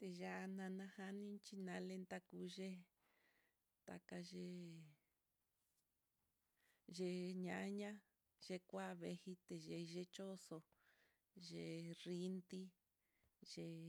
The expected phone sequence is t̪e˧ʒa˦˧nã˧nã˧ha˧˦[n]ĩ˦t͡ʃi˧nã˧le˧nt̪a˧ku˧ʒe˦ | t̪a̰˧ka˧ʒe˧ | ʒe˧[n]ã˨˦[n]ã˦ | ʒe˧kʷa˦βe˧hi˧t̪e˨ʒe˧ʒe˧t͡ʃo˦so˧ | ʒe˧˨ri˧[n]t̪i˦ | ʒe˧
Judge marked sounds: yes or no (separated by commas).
yes, no, no, yes